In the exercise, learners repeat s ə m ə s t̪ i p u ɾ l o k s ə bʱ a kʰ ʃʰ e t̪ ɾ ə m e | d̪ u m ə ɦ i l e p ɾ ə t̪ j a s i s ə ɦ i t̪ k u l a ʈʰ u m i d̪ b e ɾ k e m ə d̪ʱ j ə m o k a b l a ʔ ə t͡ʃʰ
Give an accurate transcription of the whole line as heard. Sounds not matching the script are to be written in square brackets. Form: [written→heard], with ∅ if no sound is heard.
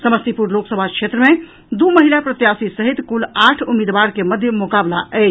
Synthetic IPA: s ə m ə s t̪ i p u ɾ l o k s ə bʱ a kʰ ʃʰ e t̪ ɾ ə m e | d̪ u m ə ɦ i l [e→a] p ɾ ə t̪ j a s i s ə ɦ i t̪ k u l a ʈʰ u m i d̪ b [e→a] ɾ k e m ə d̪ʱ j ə m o k a b l a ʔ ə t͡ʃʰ

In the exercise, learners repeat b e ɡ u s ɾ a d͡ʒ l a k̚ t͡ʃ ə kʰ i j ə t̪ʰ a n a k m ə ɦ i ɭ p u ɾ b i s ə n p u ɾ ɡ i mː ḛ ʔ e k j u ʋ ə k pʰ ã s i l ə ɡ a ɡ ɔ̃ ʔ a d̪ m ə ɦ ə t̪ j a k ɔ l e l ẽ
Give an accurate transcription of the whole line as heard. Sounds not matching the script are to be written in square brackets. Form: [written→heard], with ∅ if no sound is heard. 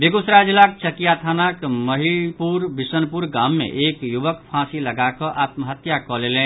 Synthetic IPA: b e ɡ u s ɾ a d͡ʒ l a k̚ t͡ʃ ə [kʰ→k] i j [ə→a] t̪ʰ a n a k m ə ɦ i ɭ p u ɾ b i s ə n p u ɾ ɡ [i→a] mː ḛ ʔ e k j u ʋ ə k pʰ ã s i l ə ɡ a [ɡ→k] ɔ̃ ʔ a [d̪→t̪] m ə ɦ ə t̪ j a k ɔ l e l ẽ

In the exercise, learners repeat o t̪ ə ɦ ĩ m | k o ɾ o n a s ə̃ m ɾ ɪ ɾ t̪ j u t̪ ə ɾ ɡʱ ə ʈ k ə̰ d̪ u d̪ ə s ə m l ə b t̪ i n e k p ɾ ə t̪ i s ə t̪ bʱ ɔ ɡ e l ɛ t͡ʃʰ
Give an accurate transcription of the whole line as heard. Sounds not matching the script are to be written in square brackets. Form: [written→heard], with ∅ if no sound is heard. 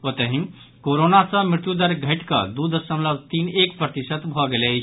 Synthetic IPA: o t̪ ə ɦ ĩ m | k o ɾ o n a s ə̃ m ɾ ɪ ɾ t̪ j u [t̪→d̪] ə ɾ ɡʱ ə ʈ k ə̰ d̪ u d̪ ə s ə m l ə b t̪ i n e k p ɾ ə t̪ i s ə t̪ bʱ ɔ ɡ e l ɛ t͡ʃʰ

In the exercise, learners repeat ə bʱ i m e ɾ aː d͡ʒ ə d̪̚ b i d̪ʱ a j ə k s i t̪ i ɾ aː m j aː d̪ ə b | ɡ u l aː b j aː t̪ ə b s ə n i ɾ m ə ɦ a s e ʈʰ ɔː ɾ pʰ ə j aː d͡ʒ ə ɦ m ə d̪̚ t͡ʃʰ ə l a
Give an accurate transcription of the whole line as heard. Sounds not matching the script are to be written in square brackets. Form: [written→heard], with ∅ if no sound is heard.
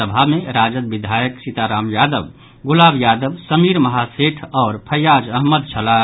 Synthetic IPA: ə bʱ [i→a] m e ɾ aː d͡ʒ ə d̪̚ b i d̪ʱ a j ə k s i t̪ [i→a] ɾ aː m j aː d̪ ə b | ɡ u l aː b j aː [t̪→d̪] ə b s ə [n→m] i ɾ m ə ɦ a s e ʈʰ ɔː ɾ pʰ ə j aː d͡ʒ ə ɦ m ə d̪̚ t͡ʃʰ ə l a

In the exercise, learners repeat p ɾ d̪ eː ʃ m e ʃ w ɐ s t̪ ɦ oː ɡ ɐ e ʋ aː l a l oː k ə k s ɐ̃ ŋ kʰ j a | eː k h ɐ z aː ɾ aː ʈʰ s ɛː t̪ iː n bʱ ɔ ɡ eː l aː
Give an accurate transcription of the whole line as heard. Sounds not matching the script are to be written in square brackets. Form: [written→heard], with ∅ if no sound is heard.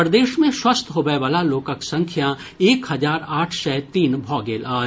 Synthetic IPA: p ɾ d̪ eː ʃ m [e→ẽ] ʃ w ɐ s t̪ ɦ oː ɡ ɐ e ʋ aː l a l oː k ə k s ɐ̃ ŋ kʰ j a | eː k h ɐ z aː ɾ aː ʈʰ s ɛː t̪ iː n bʱ [ɔ→ɔː] ɡ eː l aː

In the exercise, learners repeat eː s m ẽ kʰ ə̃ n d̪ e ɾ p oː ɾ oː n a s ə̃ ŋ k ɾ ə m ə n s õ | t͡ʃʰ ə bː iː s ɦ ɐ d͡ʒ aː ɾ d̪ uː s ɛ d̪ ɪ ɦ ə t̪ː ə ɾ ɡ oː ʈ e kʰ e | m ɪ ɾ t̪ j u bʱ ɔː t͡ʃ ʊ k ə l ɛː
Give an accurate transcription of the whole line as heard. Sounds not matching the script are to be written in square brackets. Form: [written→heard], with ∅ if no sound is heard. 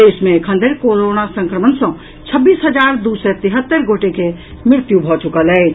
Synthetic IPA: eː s m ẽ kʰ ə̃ n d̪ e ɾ [p→k] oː ɾ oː n a s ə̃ ŋ k ɾ ə m ə n s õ | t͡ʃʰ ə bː iː s ɦ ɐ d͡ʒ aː ɾ d̪ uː s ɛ [d̪→t̪] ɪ ɦ ə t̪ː ə ɾ ɡ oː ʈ e [kʰ→k] e | m ɪ ɾ t̪ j u bʱ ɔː t͡ʃ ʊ k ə l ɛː

